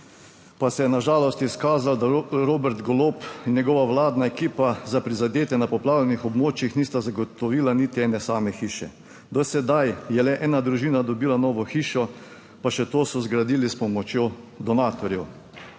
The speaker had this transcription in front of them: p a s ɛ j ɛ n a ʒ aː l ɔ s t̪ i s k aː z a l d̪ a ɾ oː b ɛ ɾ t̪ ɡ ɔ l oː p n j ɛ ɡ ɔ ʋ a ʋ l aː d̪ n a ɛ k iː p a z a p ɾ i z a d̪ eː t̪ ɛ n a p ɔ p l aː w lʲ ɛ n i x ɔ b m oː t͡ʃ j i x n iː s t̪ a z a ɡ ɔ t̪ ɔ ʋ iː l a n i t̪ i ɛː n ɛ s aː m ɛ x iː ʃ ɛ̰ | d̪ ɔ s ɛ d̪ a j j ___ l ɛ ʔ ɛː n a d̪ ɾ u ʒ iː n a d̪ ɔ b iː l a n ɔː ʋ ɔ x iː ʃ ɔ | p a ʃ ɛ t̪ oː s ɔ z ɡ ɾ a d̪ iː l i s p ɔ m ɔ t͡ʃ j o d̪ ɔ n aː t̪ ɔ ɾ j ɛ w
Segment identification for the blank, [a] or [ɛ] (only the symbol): ɛ